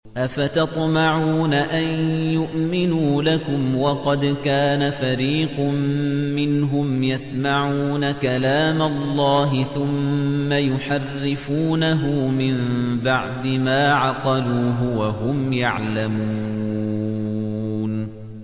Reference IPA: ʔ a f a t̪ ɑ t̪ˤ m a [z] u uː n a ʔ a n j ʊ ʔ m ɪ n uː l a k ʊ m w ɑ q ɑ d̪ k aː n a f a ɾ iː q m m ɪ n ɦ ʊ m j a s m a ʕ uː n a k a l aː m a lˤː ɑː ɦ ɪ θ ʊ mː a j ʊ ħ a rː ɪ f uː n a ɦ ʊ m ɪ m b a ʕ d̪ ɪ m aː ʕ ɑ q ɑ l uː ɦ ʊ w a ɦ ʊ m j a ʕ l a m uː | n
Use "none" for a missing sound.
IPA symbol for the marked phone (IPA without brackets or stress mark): ʕ